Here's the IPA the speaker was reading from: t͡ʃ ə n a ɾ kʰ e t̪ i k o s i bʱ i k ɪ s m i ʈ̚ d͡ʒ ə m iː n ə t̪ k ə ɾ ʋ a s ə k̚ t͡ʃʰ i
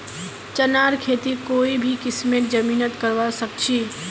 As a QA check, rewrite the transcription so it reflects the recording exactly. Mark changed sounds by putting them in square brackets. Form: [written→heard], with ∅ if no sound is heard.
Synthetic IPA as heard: t͡ʃ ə n a ɾ kʰ e t̪ i k o [s→∅] i bʱ i k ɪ s m [i→e] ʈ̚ d͡ʒ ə m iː n ə t̪ k ə ɾ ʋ a s ə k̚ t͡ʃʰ i